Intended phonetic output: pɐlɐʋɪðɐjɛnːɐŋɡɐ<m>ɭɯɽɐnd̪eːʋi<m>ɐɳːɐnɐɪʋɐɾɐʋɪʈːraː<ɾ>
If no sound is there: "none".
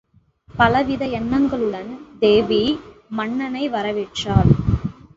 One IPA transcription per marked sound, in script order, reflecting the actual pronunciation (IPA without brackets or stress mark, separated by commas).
none, m, l